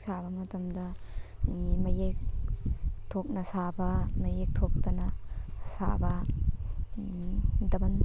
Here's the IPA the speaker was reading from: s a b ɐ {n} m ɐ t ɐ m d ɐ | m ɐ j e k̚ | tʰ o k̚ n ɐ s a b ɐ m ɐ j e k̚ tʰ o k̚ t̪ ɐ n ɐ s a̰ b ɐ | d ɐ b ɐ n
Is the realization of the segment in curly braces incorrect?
yes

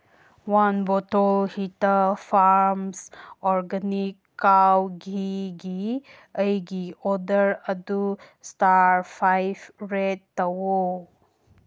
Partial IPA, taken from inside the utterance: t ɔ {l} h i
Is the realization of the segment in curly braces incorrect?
no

